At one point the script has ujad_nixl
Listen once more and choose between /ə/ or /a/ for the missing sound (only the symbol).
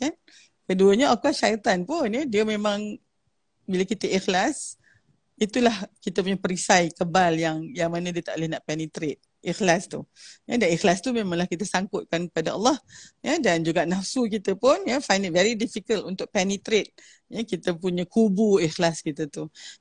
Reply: a